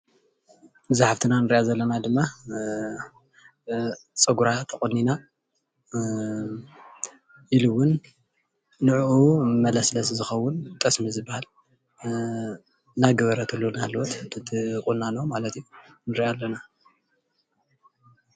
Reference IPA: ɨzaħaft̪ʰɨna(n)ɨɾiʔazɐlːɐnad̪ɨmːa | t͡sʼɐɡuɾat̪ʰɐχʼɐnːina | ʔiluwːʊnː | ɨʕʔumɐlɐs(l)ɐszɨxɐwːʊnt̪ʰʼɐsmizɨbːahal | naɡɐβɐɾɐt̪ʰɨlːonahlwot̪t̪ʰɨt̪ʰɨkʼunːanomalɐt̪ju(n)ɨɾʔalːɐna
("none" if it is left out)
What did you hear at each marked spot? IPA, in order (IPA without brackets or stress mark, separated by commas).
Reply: n, l, n